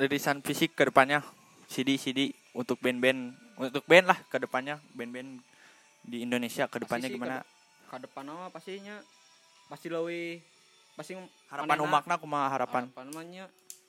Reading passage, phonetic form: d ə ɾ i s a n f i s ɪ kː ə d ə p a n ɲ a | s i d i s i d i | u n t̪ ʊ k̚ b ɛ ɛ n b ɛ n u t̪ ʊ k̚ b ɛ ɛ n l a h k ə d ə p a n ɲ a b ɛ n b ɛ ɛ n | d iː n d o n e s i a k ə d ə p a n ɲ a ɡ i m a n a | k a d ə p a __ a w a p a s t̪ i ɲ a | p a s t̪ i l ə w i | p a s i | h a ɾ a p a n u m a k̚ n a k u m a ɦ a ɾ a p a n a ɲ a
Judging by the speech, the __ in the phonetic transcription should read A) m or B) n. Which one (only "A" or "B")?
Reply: B